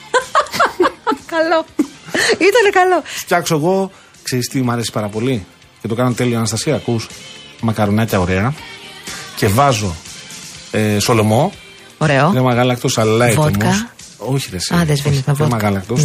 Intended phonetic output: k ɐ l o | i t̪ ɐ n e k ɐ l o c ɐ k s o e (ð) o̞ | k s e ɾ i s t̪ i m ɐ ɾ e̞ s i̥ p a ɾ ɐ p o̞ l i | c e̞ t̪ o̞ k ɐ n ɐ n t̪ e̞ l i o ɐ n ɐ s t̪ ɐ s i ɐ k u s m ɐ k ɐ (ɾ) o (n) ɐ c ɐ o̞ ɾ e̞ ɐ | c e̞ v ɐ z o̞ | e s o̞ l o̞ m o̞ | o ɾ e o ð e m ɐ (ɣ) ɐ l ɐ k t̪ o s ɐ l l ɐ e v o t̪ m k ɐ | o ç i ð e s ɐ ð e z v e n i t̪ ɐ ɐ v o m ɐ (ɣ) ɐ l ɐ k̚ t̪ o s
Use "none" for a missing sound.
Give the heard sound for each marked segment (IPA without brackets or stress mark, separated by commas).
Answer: ɣ, ɾ, n, ɣ, ɣ